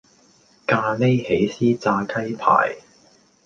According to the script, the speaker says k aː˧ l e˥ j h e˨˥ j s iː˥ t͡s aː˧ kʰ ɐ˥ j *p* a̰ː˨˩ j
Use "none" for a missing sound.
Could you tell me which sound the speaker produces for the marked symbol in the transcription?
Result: pʰ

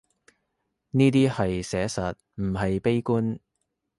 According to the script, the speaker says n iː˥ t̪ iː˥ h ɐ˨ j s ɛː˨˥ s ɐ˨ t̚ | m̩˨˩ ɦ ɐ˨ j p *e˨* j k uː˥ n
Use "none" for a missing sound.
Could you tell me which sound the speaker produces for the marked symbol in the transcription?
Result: e˥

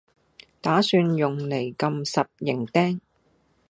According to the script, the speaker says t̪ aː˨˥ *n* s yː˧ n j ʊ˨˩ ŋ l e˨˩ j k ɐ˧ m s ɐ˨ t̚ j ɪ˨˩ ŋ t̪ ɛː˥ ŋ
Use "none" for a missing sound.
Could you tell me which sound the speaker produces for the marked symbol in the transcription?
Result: none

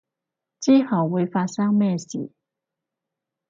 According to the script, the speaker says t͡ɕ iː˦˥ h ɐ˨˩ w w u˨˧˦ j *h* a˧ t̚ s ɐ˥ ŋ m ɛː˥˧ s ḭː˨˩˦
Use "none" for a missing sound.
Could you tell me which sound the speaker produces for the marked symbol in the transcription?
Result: f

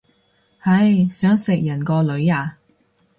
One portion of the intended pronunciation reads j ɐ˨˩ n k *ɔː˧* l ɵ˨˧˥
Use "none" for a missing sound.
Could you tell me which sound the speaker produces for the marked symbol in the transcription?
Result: ɔː˧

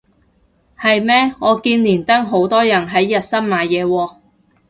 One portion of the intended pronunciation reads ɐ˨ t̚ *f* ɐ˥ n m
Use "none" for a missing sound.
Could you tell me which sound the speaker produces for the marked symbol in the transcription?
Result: s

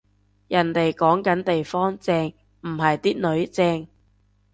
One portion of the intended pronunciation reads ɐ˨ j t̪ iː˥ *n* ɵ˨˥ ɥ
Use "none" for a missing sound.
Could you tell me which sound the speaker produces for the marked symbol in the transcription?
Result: n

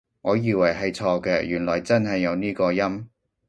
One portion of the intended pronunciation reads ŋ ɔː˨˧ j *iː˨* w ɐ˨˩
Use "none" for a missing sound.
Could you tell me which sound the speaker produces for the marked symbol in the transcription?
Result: iː˨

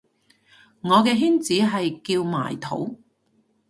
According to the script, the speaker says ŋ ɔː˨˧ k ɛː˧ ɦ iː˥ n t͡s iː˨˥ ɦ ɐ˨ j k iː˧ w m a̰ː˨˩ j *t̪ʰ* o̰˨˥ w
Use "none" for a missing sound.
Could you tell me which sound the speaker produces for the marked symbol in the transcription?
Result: t̪ʰ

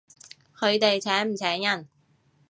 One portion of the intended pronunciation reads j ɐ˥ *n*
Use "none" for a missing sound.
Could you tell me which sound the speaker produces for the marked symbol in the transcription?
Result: n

